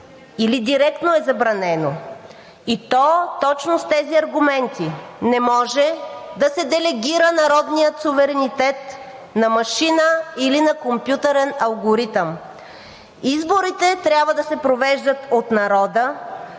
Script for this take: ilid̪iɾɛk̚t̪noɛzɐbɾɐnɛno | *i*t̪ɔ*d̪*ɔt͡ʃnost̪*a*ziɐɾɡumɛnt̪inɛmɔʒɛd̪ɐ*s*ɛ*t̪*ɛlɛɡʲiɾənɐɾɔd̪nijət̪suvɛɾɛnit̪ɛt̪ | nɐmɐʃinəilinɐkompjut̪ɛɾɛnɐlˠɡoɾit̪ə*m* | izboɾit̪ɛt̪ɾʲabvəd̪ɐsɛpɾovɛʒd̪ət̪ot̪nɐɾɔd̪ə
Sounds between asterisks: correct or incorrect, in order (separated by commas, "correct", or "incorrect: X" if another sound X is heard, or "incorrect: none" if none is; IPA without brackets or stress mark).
correct, incorrect: t̪, incorrect: ɛ, correct, incorrect: d̪, correct